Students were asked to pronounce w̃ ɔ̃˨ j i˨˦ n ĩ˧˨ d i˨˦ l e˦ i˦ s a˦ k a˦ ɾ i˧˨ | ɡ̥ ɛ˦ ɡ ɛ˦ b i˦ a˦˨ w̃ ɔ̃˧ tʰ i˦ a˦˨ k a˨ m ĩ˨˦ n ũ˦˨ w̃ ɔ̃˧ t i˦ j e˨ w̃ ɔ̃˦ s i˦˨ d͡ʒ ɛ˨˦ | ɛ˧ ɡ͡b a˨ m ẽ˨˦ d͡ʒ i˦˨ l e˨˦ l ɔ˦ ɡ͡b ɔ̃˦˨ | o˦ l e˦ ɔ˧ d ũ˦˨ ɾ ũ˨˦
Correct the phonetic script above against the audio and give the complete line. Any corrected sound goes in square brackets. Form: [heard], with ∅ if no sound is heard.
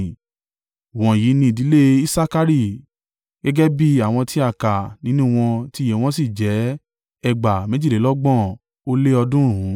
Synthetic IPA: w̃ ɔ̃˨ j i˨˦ n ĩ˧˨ d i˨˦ l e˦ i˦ s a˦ k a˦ ɾ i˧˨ | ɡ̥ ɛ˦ ɡ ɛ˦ b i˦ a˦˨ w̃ ɔ̃˧ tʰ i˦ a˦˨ k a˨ [n] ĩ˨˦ n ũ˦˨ w̃ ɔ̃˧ t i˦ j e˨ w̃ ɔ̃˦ s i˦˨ d͡ʒ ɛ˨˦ | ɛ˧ ɡ͡b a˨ m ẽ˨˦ d͡ʒ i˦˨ l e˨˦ l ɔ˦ ɡ͡b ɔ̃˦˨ | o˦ l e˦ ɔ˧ d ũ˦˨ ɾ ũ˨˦